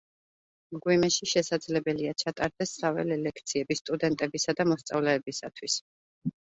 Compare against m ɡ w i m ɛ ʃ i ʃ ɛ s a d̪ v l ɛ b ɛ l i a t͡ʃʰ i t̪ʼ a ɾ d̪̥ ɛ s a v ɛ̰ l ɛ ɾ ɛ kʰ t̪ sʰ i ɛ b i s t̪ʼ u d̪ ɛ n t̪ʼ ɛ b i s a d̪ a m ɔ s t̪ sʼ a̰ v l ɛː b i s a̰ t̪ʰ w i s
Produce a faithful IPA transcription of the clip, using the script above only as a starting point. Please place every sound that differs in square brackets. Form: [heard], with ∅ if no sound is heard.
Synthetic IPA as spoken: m ɡ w i m ɛ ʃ i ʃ ɛ s a d̪ [z] l ɛ b ɛ l i a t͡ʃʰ [a] t̪ʼ a ɾ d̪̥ ɛ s a v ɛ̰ l ɛ [l] ɛ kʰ t̪ sʰ i ɛ b i s t̪ʼ u d̪ ɛ n t̪ʼ ɛ b i s a d̪ a m ɔ s t̪ sʼ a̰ v l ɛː b i s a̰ t̪ʰ w i s

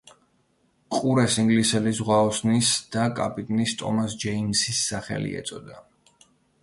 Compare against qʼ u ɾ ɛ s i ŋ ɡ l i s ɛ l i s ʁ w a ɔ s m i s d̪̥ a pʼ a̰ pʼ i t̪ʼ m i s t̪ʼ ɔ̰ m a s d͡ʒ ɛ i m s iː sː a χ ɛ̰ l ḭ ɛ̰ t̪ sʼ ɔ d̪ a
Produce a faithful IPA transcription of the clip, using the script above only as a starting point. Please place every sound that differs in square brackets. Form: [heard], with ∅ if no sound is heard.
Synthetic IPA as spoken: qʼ u ɾ ɛ s i ŋ ɡ l i s ɛ l i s ʁ w a ɔ s [n] i s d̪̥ a [kʼ] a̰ pʼ i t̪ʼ [n] i s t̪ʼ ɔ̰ m a s d͡ʒ ɛ i m s [i] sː a χ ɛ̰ l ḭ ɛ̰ t̪ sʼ ɔ d̪ a

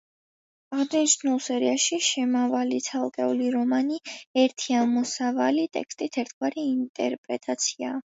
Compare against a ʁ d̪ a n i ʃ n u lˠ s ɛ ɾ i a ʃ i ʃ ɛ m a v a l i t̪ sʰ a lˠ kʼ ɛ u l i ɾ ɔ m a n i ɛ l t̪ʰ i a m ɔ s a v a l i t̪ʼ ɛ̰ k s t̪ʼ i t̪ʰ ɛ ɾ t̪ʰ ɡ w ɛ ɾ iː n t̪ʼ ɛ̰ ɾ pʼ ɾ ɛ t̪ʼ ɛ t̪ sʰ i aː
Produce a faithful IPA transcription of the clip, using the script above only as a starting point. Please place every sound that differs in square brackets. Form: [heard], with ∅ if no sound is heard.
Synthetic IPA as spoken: a ʁ d̪ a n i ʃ n u lˠ s ɛ ɾ i a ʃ i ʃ ɛ m a v a l i t̪ sʰ a lˠ kʼ ɛ u l i ɾ ɔ m a n i ɛ [ɾ] t̪ʰ i a m ɔ s a v a l i t̪ʼ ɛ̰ k s t̪ʼ i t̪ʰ ɛ ɾ t̪ʰ ɡ w [a] ɾ iː n t̪ʼ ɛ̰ ɾ pʼ ɾ ɛ t̪ʼ [a] t̪ sʰ i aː

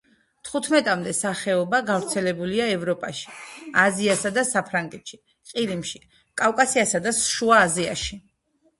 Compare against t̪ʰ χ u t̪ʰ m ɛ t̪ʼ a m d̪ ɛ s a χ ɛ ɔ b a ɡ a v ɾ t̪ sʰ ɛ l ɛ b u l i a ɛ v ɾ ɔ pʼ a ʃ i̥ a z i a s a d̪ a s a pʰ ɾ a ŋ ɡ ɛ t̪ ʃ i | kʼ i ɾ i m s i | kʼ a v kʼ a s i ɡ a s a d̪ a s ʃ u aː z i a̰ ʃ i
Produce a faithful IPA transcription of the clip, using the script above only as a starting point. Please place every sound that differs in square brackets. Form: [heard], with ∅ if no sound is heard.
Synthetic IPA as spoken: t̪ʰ χ u t̪ʰ m ɛ t̪ʼ a m d̪ ɛ s a χ ɛ ɔ b a ɡ a v ɾ t̪ sʰ ɛ l ɛ b u l i a ɛ v ɾ ɔ pʼ a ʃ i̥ a z i a s a d̪ a s a pʰ ɾ a ŋ ɡ ɛ t̪ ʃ i | [qʼ] i ɾ i m [ʃ] i | kʼ a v kʼ a s i [∅] a s a d̪ a s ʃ u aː z i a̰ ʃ i

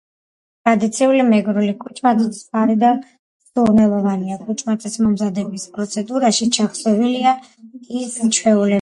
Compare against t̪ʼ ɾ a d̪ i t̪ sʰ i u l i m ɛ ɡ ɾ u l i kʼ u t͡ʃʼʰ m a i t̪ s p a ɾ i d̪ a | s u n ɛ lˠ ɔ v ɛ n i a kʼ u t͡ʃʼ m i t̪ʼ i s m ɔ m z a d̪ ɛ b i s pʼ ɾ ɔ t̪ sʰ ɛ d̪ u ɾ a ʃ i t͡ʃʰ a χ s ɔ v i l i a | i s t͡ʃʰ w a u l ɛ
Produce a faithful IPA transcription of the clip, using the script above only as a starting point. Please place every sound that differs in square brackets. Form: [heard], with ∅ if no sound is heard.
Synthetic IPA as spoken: t̪ʼ ɾ a d̪ i t̪ sʰ i u l i m ɛ ɡ ɾ u l i kʼ u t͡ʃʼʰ m a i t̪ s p a ɾ i d̪ a | s u n ɛ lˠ ɔ v [a] n i a kʼ u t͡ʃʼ m [a] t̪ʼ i s m ɔ m z a d̪ ɛ b i s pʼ ɾ ɔ t̪ sʰ ɛ d̪ u ɾ a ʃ i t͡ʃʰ a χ s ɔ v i l i a | i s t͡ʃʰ w [ɛ] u l ɛ

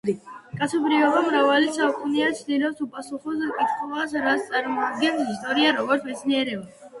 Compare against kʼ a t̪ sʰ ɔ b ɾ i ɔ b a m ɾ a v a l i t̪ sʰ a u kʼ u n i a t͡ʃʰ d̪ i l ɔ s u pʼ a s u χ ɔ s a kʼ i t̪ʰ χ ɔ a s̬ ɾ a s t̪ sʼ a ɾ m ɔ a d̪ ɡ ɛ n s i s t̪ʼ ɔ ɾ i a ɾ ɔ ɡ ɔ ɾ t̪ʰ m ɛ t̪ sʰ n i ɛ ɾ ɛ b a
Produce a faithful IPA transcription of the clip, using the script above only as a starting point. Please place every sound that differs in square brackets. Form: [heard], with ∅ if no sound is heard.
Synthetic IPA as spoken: kʼ a t̪ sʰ ɔ b ɾ i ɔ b a m ɾ a v a l i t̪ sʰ a u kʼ u n i a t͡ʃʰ d̪ i l ɔ s u pʼ a s u χ ɔ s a kʼ i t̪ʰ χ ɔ a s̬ ɾ a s t̪ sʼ a ɾ m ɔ a d̪ ɡ ɛ n s i s t̪ʼ ɔ ɾ i a ɾ ɔ ɡ ɔ ɾ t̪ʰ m ɛ t̪ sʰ n i ɛ ɾ ɛ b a

